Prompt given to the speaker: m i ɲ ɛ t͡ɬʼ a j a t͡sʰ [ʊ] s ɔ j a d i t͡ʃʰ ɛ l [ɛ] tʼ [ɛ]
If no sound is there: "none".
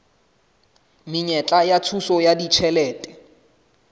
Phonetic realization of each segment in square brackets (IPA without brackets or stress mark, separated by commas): u, ɛː, ɛ